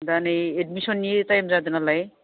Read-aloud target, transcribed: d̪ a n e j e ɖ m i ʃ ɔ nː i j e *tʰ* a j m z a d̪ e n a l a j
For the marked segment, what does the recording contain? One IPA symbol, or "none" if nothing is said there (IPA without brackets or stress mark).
t